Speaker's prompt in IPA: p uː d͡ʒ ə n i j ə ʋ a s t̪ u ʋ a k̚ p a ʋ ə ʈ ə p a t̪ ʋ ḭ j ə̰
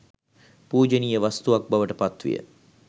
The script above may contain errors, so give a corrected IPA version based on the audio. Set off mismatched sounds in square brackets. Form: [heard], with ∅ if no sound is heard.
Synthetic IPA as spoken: p uː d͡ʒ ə n i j ə ʋ a s t̪ u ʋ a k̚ [b] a ʋ ə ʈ ə p a t̪ ʋ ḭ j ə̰